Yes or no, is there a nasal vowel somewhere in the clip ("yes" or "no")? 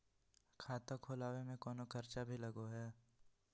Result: yes